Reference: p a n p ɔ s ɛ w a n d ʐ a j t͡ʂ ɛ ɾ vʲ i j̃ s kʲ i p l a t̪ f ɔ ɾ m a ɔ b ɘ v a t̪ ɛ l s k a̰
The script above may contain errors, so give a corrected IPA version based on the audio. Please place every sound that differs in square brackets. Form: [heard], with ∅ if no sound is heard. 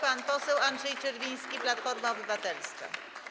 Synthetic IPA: p a n p ɔ s ɛ w a n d ʐ [ɛ] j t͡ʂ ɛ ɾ vʲ i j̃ s kʲ i p l a t̪ f ɔ ɾ m a ɔ b ɘ v a t̪ ɛ l s k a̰